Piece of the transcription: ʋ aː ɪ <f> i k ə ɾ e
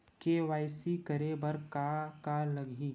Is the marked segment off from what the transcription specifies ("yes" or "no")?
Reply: yes